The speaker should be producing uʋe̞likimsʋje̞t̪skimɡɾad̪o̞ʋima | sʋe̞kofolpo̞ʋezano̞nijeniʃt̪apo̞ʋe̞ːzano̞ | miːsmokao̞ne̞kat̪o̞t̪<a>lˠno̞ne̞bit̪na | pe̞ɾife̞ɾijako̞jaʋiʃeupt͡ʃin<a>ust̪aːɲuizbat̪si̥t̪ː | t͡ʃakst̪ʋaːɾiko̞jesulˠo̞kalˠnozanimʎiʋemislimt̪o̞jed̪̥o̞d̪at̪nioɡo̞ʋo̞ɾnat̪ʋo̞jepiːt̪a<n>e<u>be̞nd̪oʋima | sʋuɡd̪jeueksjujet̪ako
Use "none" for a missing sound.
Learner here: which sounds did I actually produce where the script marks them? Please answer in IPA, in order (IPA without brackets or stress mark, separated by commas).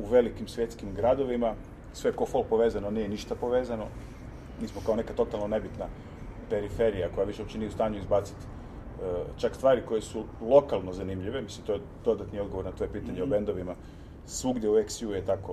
a, i, ɲ, o